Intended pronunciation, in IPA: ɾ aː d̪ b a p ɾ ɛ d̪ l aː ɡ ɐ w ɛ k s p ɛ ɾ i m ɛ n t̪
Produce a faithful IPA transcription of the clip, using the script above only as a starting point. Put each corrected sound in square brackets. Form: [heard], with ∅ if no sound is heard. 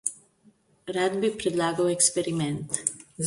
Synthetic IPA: ɾ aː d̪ b [i] p ɾ ɛ d̪ l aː ɡ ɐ w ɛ k s p ɛ ɾ i m ɛ n t̪